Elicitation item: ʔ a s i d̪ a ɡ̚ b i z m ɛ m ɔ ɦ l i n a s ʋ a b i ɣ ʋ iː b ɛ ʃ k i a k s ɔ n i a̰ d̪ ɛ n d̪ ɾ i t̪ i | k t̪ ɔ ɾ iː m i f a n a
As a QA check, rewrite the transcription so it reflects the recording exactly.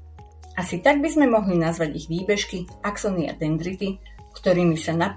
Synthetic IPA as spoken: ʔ a s i t̪ a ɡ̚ b i z m ɛ m ɔ ɦ l i n a z ʋ a ɟ i ɣ ʋ iː b ɛ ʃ k i a k s ɔ n i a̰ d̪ ɛ n d̪ ɾ i t̪ i | k t̪ ɔ ɾ iː m i s a n a